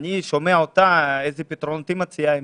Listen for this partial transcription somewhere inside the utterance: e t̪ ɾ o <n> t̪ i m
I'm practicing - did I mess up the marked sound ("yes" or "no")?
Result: no